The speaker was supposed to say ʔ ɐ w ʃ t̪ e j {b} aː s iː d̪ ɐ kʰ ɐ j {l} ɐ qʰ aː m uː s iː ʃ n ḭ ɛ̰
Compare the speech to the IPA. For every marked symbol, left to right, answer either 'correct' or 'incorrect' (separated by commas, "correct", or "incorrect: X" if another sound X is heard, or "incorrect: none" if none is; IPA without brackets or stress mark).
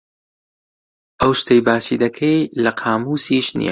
correct, correct